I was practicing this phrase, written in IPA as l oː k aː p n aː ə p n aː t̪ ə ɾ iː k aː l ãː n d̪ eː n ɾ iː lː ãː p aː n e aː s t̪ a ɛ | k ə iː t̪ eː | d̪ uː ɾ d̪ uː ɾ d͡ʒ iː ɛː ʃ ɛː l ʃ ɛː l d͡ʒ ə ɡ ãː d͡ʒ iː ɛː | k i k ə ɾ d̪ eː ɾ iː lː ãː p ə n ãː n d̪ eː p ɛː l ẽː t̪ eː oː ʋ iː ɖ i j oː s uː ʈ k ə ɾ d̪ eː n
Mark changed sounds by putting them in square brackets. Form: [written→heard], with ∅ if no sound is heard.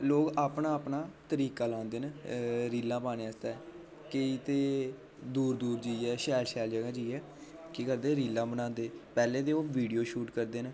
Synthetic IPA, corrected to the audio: l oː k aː p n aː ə p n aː t̪ ə ɾ iː k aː l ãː n d̪ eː n ɾ iː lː ãː p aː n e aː s t̪ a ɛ | k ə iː t̪ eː | d̪ uː ɾ d̪ uː ɾ d͡ʒ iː ɛː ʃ ɛː l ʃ ɛː l d͡ʒ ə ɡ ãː d͡ʒ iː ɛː | k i k ə ɾ d̪ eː ɾ iː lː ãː [p→b] ə n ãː n d̪ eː p ɛː l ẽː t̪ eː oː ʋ iː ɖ i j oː [s→ʃ] uː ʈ k ə ɾ d̪ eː n